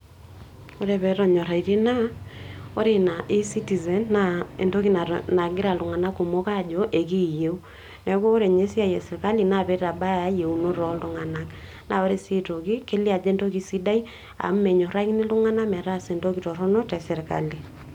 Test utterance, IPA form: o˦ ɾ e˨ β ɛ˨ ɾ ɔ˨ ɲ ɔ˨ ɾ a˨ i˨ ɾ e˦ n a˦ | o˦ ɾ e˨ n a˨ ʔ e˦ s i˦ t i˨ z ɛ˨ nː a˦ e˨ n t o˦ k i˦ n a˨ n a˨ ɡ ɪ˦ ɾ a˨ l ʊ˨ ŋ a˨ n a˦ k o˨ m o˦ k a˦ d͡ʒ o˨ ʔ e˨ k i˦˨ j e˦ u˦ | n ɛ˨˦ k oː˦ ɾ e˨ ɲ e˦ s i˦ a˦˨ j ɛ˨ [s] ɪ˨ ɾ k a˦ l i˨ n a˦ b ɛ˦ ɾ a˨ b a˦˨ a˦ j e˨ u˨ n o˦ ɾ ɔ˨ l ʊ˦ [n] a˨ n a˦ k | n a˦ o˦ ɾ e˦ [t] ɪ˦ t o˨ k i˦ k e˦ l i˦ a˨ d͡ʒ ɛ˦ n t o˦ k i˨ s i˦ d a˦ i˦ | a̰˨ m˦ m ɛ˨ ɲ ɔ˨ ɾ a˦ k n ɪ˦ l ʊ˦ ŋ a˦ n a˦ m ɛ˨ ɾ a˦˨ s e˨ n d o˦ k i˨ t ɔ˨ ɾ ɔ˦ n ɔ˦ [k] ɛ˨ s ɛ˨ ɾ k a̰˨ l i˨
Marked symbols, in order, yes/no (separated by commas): yes, no, no, no